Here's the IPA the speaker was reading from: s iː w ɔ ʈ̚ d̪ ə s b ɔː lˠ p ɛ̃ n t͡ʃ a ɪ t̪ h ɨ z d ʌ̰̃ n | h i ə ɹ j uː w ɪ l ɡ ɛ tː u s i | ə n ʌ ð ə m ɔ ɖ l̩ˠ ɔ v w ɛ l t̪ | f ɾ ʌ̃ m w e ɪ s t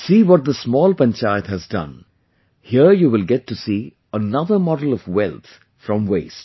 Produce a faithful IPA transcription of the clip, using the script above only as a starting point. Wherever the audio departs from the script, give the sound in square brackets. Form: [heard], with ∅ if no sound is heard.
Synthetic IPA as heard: s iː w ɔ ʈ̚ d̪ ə s [m] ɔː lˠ p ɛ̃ n t͡ʃ a ɪ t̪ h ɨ z d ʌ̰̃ n | h i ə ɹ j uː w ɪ l ɡ ɛ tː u s i | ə n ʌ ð ə m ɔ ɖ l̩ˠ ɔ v w ɛ l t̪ | f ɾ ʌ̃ m w e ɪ s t

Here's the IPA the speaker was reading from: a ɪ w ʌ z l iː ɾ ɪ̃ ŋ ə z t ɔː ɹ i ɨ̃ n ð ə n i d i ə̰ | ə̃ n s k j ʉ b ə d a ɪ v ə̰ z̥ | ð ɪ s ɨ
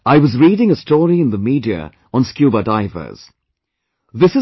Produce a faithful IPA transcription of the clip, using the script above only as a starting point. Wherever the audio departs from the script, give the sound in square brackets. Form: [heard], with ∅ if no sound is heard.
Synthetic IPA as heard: a ɪ w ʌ z [ɹ] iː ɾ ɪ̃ ŋ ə [s] t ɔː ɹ i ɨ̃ n ð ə [m] i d i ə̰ | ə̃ n s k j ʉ b ə d a ɪ v ə̰ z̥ | ð ɪ s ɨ

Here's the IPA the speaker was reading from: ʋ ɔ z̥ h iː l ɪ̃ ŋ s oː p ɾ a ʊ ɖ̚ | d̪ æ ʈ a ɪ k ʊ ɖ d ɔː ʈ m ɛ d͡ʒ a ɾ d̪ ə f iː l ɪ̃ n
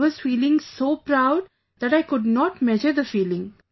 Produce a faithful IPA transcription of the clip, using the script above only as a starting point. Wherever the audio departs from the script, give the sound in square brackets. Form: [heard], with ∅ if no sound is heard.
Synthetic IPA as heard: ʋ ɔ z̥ [f] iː l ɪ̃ ŋ s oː p ɾ a ʊ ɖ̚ | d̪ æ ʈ a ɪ k ʊ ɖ [n] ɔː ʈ m ɛ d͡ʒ [ə] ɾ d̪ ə f iː l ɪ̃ [ŋ]

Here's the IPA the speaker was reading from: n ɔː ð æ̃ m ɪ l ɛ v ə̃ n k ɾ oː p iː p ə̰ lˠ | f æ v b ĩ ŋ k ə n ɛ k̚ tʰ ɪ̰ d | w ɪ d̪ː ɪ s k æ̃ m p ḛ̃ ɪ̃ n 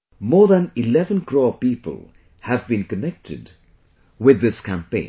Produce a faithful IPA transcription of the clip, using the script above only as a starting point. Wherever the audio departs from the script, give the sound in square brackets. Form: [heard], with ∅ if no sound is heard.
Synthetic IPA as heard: [m] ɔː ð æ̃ [n] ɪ l ɛ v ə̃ n k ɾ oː p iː p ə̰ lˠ | [h] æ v b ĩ [n] k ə n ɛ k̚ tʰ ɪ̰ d | w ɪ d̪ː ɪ s k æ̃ m p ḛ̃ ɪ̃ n

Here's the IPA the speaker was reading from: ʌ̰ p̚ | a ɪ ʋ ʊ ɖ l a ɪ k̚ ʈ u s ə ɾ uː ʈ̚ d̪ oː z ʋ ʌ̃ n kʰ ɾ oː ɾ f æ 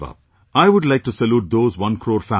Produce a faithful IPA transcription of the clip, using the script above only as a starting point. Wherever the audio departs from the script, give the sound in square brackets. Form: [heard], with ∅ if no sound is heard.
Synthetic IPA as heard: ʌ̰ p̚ | a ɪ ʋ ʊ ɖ l a ɪ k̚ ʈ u s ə [l] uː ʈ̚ d̪ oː z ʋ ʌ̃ n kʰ ɾ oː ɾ f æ

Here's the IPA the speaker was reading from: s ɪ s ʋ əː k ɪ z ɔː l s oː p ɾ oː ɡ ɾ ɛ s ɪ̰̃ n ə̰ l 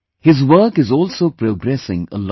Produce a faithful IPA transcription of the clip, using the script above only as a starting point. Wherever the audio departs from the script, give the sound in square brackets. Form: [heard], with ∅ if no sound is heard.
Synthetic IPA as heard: [h] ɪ [z] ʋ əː k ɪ z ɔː l s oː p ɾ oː ɡ ɾ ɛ s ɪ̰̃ [ŋ] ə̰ l

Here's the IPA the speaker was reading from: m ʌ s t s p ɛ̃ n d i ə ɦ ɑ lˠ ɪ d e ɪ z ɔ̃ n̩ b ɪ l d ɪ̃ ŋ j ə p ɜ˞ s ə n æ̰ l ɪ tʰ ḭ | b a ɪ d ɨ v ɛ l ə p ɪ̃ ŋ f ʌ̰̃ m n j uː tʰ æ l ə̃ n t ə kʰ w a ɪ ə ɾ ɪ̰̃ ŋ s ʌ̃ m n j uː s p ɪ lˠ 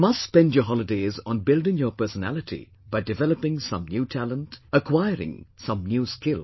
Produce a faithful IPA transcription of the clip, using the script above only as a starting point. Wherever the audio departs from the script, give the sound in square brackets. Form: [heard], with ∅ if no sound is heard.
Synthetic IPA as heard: m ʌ s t s p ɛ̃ n d [j] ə ɦ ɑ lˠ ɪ d e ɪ z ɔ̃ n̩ b ɪ l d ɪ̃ ŋ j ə p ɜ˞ s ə n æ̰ l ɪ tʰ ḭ | b a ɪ d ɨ v ɛ l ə p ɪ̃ ŋ [s] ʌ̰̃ m n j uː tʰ æ l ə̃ n t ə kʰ w a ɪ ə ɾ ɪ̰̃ ŋ s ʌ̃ m n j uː s [k] ɪ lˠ

